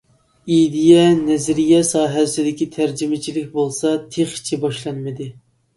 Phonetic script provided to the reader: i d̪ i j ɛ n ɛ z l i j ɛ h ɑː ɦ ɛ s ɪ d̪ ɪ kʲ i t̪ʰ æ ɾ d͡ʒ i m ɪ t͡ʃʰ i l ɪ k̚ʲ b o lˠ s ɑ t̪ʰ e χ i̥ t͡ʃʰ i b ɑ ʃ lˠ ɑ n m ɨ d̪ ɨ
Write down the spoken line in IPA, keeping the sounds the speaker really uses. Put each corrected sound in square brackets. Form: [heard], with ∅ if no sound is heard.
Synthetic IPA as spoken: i d̪ i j ɛ n ɛ z [ɾ] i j ɛ [s] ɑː ɦ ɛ s ɪ d̪ ɪ kʲ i t̪ʰ æ ɾ d͡ʒ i m ɪ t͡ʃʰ i l ɪ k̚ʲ b o lˠ s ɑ t̪ʰ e χ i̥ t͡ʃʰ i b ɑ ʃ lˠ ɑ n m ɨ d̪ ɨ